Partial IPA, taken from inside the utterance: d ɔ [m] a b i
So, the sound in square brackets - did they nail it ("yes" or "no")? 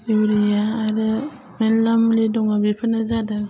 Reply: no